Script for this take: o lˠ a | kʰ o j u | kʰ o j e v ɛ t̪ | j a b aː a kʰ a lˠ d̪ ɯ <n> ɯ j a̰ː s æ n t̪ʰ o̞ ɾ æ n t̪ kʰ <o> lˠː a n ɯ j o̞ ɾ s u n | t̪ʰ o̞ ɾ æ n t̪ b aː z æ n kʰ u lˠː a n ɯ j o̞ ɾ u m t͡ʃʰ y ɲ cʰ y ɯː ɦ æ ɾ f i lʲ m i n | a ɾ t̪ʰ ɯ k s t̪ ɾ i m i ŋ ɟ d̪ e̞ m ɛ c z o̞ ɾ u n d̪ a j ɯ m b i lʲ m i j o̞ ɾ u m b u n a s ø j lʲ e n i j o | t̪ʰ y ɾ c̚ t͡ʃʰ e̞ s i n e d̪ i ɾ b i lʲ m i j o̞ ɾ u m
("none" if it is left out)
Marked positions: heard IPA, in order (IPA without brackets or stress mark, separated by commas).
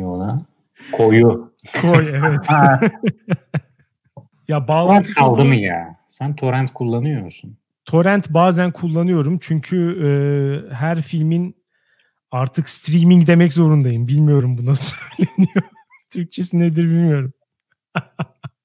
m, u